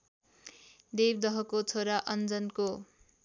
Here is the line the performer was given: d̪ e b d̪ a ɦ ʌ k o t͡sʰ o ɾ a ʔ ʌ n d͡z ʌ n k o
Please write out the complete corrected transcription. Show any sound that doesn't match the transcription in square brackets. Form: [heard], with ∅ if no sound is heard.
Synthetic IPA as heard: d̪ e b d̪ [ʌ] ɦ ʌ k o t͡sʰ o ɾ a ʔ ʌ n d͡z ʌ n k o